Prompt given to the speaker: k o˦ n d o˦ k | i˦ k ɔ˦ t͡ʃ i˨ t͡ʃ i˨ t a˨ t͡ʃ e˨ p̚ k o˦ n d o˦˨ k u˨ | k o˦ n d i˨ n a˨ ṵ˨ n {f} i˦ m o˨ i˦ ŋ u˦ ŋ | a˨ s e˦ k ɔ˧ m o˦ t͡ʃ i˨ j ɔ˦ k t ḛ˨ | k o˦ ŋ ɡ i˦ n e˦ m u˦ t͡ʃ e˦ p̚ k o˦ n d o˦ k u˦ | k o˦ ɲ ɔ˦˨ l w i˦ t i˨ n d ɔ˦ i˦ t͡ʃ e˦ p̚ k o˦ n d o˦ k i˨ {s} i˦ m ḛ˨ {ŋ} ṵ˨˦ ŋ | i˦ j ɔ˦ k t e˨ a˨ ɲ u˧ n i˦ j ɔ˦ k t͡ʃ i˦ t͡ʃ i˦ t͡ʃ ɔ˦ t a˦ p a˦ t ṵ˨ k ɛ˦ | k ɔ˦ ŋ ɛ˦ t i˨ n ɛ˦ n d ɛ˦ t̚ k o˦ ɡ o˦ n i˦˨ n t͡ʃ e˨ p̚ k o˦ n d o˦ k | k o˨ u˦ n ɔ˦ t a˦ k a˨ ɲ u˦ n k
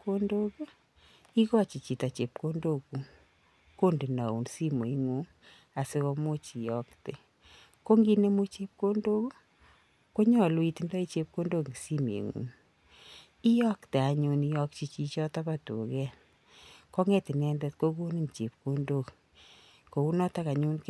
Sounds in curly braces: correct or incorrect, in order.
incorrect: s, correct, correct

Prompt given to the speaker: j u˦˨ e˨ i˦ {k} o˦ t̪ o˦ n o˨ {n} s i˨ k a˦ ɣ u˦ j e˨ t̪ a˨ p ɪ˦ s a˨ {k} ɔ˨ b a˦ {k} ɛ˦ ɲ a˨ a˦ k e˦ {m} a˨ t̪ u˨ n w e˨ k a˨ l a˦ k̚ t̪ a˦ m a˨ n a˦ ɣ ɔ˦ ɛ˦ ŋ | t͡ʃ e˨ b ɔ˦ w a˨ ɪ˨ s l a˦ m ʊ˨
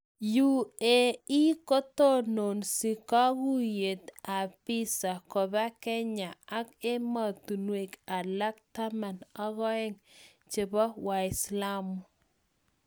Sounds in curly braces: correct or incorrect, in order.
correct, correct, correct, correct, correct

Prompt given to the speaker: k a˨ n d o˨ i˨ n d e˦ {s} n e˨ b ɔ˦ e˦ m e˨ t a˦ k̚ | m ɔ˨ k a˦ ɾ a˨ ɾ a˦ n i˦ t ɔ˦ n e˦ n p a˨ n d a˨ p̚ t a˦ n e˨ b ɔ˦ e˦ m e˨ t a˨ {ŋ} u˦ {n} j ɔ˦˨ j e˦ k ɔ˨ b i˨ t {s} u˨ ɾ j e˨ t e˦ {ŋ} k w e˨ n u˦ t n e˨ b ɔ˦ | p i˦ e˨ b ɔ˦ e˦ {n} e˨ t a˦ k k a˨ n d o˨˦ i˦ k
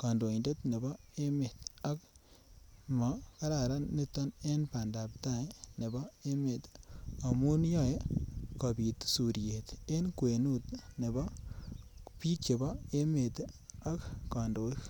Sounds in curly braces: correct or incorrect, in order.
incorrect: t, incorrect: m, correct, correct, incorrect: n, incorrect: m

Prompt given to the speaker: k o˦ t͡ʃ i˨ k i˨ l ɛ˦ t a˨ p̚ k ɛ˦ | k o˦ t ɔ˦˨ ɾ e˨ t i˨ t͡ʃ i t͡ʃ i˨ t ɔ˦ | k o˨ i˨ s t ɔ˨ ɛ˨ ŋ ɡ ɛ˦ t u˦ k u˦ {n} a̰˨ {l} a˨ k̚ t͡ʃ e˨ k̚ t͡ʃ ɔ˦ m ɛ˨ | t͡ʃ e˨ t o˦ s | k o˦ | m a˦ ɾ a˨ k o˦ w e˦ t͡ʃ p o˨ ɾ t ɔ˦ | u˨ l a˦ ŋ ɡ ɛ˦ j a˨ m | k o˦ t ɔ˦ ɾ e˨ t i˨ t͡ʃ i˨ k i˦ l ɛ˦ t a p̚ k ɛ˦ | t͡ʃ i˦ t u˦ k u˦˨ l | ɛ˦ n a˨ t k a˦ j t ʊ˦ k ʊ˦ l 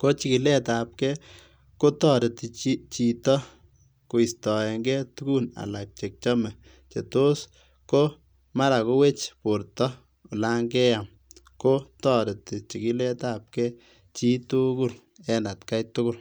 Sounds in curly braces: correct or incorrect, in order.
correct, correct

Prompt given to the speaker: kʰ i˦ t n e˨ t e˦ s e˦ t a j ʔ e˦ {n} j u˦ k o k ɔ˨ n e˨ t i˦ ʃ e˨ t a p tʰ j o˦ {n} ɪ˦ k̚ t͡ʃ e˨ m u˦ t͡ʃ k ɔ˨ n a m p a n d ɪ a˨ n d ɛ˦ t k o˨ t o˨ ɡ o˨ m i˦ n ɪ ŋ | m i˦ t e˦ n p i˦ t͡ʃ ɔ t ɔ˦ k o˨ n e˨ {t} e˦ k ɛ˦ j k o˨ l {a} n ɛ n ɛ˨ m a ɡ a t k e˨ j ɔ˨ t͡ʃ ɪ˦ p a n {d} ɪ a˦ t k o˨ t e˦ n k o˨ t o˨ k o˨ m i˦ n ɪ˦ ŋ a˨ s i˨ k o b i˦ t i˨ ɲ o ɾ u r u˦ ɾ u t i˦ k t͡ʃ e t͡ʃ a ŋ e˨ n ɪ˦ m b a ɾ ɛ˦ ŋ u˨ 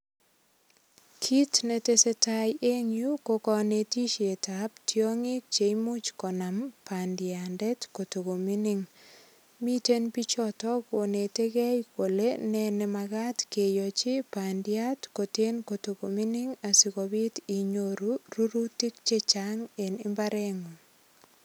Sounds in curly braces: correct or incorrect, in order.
incorrect: ŋ, incorrect: ŋ, correct, incorrect: e, correct

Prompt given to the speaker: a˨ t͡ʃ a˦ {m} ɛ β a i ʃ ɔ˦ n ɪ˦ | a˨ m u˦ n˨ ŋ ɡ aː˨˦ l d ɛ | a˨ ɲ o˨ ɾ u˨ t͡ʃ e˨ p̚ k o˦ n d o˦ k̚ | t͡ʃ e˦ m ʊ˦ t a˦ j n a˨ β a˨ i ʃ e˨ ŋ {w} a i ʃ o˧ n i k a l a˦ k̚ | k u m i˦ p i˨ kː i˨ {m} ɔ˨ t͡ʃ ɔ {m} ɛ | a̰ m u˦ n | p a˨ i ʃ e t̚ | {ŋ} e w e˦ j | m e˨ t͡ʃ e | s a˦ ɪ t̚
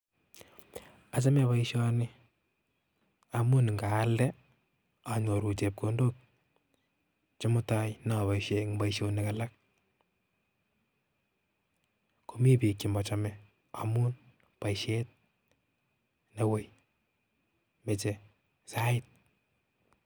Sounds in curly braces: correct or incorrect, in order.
correct, incorrect: b, correct, correct, incorrect: n

